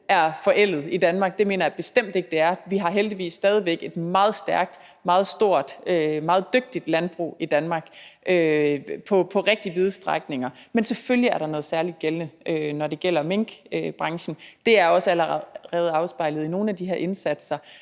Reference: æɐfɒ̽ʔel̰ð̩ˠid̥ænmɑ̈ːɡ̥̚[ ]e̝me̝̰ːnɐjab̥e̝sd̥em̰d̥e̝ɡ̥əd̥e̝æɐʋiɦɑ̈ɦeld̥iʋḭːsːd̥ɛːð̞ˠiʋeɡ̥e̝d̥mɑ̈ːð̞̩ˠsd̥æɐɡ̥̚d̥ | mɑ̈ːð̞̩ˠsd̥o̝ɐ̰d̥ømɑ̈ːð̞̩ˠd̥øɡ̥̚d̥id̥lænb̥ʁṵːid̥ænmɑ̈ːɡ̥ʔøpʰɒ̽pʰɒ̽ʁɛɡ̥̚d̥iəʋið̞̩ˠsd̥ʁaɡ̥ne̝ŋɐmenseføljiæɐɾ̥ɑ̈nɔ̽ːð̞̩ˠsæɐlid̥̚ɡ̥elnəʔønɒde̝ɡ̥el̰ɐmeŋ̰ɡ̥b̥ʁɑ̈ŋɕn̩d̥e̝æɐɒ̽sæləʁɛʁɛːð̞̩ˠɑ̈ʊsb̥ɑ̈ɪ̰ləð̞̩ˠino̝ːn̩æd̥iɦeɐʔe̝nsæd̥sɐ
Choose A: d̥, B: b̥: A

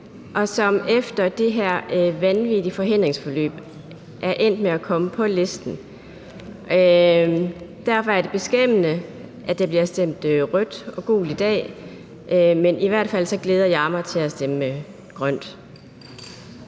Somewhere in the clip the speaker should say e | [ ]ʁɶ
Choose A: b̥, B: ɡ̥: B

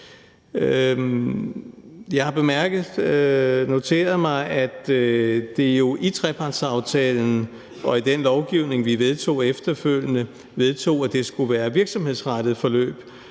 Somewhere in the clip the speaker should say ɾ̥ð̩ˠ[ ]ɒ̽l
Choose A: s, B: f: B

